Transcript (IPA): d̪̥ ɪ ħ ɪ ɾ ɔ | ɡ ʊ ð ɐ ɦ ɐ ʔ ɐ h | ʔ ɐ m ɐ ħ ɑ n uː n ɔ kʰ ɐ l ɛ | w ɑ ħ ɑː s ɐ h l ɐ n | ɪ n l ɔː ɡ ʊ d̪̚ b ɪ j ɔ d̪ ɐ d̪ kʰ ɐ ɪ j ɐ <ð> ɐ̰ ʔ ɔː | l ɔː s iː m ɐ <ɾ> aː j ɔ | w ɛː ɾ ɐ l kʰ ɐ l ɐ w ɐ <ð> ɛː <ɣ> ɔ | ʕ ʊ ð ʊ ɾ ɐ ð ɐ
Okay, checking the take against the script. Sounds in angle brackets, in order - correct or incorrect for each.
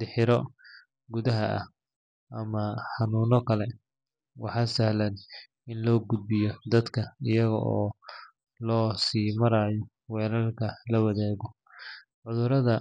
incorrect: ɣ, correct, correct, correct

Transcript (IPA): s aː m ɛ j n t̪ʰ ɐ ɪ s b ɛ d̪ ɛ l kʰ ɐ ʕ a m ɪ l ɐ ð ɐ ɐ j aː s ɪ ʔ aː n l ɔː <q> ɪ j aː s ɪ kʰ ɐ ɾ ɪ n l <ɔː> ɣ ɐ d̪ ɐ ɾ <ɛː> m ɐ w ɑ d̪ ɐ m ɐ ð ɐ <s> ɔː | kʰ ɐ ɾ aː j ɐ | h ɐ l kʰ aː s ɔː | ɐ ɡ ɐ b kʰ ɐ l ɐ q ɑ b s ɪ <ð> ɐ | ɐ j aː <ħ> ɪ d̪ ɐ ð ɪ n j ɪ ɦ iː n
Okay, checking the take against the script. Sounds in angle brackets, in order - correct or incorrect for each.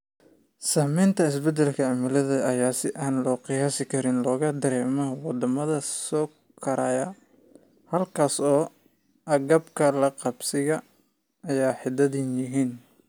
correct, correct, correct, correct, incorrect: ɣ, correct

